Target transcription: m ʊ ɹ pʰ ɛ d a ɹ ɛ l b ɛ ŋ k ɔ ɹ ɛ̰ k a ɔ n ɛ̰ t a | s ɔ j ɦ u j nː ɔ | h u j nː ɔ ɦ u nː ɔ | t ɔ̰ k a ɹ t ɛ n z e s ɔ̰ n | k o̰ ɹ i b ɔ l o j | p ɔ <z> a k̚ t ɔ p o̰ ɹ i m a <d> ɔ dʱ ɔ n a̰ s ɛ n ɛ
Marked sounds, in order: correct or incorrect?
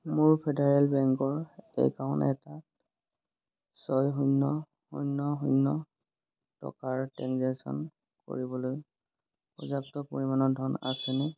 correct, incorrect

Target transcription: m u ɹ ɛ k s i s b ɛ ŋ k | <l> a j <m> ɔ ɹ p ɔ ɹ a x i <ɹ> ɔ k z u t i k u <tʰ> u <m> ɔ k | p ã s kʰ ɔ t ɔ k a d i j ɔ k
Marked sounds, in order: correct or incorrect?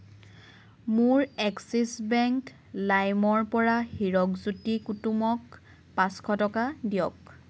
correct, correct, correct, incorrect, correct

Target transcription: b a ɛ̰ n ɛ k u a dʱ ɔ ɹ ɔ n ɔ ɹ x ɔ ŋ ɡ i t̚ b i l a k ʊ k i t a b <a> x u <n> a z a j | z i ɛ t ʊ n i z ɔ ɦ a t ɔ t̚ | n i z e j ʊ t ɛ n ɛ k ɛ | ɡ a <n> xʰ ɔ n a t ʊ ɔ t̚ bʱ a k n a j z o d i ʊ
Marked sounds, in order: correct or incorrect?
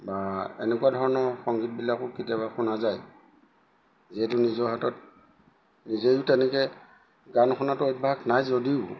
correct, correct, correct

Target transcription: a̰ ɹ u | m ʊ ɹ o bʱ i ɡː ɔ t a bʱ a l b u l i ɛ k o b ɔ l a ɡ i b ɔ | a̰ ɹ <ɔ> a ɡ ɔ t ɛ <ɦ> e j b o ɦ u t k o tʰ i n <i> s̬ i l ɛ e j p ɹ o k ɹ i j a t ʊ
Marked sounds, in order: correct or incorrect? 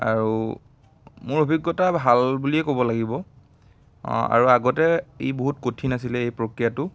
incorrect, incorrect, incorrect

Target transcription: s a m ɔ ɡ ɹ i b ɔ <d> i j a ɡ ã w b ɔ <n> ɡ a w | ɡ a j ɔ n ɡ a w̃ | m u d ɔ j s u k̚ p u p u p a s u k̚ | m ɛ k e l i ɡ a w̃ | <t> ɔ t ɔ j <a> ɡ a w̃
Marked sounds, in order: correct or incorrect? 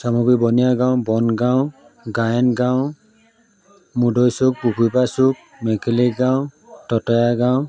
incorrect, correct, correct, correct

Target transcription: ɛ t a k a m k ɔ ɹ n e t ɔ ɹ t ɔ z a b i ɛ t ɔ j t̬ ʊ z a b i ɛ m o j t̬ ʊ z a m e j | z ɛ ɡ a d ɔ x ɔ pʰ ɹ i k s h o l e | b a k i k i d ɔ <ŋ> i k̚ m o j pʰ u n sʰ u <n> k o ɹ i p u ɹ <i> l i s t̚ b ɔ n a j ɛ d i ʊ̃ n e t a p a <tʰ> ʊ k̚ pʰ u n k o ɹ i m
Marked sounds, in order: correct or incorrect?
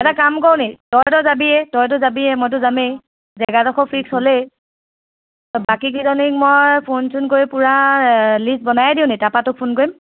incorrect, correct, incorrect, incorrect

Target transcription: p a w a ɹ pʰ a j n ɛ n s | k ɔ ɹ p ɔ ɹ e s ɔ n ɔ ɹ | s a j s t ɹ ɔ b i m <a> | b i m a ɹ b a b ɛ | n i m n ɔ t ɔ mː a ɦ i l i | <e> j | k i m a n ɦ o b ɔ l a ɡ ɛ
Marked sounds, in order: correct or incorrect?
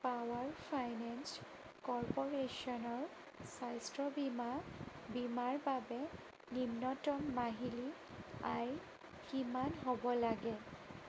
correct, incorrect

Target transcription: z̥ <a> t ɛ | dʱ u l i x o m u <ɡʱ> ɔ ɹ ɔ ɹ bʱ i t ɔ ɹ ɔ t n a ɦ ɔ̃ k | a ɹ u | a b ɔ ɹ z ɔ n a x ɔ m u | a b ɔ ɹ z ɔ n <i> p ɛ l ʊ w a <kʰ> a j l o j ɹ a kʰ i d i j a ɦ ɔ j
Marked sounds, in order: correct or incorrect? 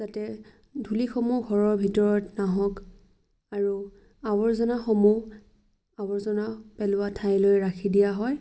correct, correct, incorrect, incorrect

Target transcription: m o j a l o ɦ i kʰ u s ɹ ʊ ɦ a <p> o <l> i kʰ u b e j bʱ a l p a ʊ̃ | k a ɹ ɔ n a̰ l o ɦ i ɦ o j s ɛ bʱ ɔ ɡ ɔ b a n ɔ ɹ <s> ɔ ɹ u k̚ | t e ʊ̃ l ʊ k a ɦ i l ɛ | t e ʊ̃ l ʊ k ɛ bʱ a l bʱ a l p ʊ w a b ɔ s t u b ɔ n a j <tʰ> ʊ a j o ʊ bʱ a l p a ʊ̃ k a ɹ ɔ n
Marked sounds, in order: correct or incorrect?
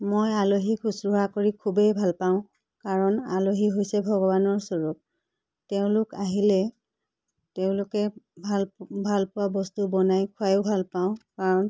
incorrect, incorrect, correct, incorrect

